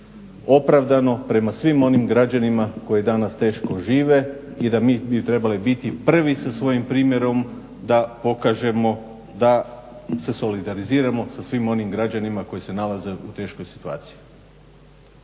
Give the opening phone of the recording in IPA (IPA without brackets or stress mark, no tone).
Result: o̞